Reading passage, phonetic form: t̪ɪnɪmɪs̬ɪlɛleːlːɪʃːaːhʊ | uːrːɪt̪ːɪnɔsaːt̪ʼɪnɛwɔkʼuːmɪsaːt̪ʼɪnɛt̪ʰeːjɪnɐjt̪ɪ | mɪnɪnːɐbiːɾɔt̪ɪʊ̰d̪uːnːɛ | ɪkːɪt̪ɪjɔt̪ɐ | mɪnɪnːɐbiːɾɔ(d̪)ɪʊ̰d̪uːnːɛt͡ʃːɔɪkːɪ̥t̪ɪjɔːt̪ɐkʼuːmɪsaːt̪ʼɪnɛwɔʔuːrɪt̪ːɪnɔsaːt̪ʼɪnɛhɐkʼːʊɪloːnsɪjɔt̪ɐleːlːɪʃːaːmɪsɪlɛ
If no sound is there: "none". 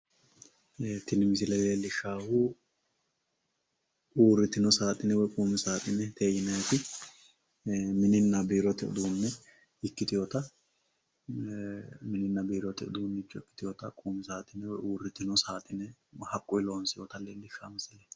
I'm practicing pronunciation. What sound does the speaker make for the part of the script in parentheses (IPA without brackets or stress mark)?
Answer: t̪